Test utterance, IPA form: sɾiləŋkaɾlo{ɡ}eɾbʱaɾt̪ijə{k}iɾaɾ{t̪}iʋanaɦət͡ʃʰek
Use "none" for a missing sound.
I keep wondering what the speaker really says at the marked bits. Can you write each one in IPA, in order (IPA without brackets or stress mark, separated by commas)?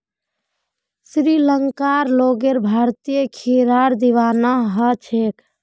ɡ, kʰ, d̪